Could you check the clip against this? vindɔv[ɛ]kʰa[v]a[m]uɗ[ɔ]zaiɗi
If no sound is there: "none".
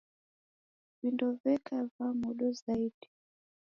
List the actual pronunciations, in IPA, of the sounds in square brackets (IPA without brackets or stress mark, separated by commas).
ɛ, v, m, ɔ